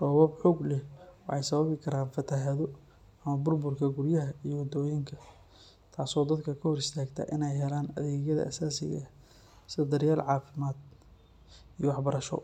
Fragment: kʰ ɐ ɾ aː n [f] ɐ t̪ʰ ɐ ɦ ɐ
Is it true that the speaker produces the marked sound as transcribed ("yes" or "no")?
yes